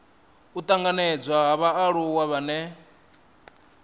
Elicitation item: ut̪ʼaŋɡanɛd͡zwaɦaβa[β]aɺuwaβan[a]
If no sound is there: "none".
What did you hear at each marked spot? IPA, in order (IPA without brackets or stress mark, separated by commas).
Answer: none, ɛ